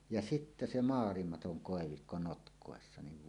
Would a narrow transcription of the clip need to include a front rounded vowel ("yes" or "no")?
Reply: no